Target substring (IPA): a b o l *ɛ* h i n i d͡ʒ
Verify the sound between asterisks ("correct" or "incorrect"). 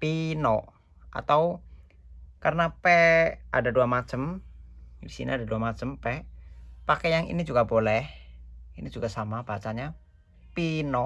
correct